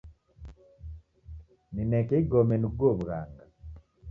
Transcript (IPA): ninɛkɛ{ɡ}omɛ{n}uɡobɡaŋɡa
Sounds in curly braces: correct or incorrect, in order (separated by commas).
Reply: correct, correct